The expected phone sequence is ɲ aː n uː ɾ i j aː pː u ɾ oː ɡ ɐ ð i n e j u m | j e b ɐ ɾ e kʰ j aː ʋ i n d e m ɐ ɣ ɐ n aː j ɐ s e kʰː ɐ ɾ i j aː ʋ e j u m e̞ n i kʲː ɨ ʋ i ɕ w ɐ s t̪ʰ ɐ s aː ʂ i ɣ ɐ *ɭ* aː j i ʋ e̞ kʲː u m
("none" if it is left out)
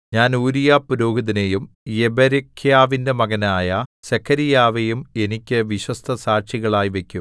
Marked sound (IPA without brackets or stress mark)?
ɭ